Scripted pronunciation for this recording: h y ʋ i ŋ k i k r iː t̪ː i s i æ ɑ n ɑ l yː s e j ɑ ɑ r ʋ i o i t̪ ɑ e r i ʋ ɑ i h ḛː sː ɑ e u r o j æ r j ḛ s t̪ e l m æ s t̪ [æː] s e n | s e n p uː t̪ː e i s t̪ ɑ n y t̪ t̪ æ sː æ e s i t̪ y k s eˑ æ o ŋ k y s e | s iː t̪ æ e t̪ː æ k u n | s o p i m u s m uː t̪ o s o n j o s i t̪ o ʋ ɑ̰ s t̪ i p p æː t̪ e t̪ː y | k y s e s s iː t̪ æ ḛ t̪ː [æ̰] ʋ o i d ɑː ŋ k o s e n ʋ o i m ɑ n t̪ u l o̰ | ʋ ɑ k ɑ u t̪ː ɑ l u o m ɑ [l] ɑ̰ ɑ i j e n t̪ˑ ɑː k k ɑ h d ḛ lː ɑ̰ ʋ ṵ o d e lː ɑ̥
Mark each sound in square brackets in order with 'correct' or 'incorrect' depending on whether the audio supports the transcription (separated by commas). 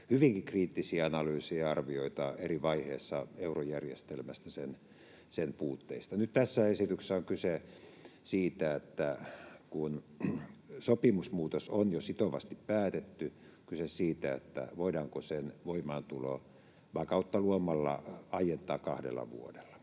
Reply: incorrect, correct, incorrect